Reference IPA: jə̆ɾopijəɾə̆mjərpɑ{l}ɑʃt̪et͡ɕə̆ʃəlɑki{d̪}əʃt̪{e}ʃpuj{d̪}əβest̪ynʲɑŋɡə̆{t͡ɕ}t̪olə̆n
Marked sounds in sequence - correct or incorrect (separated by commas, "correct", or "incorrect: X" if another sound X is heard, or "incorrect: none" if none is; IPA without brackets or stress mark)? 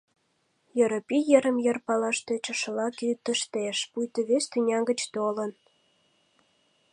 correct, incorrect: t̪, correct, incorrect: t̪, correct